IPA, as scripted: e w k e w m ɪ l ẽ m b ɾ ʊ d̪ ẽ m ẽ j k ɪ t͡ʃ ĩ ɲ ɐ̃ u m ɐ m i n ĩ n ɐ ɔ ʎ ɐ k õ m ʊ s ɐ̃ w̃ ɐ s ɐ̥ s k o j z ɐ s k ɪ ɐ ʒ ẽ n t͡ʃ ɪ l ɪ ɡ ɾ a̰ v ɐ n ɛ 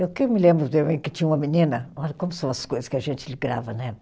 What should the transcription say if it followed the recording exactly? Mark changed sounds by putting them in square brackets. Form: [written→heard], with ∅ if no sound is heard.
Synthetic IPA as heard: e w k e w m ɪ l ẽ m b ɾ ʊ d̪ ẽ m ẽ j k ɪ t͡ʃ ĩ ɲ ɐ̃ u m ɐ m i n ĩ n ɐ ɔ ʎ ɐ k õ m ʊ s ɐ̃ w̃ ɐ s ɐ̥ s k o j z ɐ s k ɪ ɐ ʒ ẽ n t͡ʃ ɪ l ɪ ɡ ɾ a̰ v ɐ n ɛ